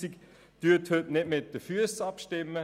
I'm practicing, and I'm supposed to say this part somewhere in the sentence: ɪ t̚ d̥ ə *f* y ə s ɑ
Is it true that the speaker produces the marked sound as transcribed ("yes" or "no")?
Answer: yes